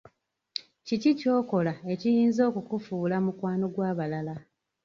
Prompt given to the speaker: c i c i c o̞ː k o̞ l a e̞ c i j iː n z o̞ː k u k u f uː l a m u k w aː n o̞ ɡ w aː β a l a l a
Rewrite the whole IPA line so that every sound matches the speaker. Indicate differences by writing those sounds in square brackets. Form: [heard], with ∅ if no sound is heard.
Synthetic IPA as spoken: c i c i c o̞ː k o̞ l a e̞ c i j iː n z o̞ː k u k u f uː l a m u k w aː n o̞ ɡ w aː β a l a l a